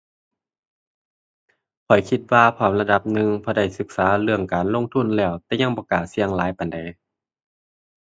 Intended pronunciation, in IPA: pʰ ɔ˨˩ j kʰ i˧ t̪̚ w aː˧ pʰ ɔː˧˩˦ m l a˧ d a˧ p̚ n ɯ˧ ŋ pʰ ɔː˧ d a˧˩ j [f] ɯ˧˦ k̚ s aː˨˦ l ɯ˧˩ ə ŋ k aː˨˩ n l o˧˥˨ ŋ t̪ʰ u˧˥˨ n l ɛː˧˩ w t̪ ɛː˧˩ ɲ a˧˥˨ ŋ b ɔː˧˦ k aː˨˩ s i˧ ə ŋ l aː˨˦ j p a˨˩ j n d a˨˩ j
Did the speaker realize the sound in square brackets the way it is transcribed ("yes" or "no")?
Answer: no